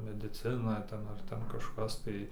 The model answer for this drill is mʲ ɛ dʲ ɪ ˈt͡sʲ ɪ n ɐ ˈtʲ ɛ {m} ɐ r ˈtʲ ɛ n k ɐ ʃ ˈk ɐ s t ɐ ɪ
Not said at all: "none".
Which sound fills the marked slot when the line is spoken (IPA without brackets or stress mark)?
n